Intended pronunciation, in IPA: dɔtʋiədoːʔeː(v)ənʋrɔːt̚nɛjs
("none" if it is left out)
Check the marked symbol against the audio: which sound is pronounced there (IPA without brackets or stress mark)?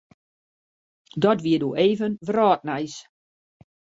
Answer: v